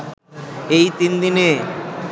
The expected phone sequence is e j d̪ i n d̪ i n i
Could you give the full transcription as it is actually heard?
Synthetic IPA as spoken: e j t̪ i n d̪ i n e